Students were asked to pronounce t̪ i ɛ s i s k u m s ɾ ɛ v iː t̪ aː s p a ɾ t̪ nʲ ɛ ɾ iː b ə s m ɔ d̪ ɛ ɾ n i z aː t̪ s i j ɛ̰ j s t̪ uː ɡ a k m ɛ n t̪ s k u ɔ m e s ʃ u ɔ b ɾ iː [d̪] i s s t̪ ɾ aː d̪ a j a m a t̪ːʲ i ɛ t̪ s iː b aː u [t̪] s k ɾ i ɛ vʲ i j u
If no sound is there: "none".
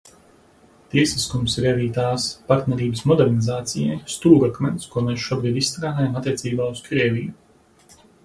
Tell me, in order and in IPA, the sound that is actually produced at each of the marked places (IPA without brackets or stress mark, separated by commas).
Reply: d̪, none